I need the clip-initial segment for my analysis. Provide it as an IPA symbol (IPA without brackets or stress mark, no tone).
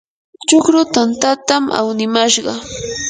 t͡ʃ